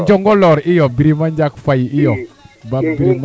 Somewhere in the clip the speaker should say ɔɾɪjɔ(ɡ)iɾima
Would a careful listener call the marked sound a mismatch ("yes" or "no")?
yes